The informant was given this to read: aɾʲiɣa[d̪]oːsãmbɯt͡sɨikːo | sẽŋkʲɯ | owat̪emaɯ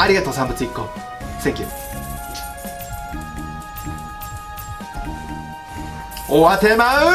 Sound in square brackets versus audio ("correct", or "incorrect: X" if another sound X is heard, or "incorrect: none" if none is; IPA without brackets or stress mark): incorrect: t̪